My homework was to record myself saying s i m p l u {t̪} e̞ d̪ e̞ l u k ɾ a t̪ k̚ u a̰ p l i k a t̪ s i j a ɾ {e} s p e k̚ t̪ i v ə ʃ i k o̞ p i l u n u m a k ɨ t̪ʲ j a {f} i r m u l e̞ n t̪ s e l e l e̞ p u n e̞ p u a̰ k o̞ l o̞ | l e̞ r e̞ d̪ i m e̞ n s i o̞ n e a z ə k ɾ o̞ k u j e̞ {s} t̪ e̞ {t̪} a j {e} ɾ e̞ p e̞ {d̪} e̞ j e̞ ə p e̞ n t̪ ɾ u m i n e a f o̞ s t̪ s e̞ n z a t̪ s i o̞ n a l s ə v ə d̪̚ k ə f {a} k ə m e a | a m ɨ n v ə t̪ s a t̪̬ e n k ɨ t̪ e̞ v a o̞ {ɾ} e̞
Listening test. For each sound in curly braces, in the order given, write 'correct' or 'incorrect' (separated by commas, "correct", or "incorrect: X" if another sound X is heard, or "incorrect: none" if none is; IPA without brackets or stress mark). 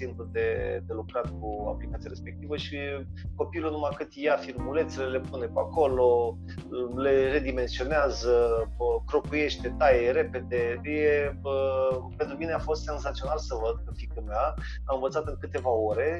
incorrect: d̪, correct, correct, incorrect: ʃ, correct, correct, correct, incorrect: i, correct